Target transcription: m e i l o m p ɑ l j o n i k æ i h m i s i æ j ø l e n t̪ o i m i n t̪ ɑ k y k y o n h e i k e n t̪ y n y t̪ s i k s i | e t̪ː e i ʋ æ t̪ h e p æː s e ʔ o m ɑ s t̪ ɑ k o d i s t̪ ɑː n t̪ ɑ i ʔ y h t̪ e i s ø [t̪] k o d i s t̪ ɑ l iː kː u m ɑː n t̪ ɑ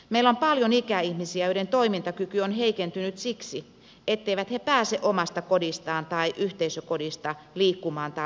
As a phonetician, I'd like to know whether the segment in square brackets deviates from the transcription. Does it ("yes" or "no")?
yes